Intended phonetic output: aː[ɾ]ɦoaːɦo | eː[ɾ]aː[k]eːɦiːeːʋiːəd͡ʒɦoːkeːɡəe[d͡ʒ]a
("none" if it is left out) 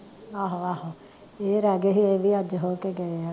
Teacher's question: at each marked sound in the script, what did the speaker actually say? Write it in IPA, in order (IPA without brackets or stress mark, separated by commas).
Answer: none, ɾ, ɡ, none